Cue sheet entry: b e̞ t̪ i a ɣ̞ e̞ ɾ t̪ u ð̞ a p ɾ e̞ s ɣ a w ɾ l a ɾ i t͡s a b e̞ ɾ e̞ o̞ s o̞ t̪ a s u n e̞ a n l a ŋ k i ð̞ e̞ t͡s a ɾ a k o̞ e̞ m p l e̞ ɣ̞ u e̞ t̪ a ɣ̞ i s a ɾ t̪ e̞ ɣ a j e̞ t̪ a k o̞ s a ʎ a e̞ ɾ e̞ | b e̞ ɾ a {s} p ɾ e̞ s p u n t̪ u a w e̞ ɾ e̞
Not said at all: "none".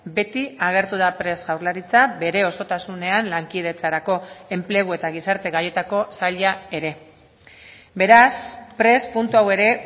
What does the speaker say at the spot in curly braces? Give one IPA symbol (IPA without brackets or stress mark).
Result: s